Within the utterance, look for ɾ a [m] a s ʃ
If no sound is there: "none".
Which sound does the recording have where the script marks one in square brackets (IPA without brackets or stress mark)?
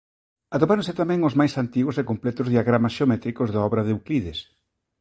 m